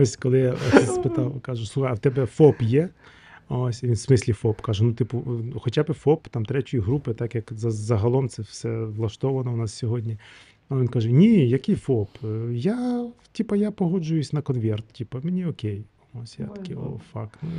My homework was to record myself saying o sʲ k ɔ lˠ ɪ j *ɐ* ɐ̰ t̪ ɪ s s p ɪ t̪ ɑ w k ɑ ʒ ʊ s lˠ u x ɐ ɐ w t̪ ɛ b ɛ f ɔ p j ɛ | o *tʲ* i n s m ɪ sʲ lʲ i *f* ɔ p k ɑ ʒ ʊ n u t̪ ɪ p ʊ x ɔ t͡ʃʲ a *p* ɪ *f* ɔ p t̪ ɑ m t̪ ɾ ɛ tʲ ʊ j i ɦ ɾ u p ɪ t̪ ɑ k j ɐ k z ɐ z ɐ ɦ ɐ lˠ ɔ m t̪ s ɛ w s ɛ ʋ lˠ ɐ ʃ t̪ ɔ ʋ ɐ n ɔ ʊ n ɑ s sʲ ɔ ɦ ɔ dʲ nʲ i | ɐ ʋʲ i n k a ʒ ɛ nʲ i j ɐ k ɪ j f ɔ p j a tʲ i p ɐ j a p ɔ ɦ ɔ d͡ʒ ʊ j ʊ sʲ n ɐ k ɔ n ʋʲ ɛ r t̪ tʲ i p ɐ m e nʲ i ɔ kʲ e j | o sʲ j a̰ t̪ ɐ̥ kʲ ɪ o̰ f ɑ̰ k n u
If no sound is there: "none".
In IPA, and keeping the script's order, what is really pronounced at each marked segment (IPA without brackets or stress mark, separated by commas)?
a, sʲ, f, b, f